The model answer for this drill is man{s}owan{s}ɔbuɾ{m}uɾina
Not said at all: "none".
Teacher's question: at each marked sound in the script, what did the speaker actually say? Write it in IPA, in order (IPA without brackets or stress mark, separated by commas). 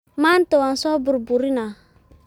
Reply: t, s, b